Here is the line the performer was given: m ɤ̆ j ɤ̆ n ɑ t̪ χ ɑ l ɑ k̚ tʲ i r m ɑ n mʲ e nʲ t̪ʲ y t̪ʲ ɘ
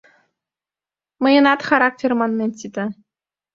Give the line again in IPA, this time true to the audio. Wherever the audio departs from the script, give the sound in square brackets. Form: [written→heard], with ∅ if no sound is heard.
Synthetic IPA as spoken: m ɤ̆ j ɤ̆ n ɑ t̪ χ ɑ [l→ɾ] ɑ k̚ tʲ [i→e] r m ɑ n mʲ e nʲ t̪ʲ [y→i] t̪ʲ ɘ